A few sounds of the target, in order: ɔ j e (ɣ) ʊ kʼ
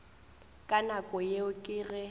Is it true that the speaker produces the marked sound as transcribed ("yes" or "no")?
no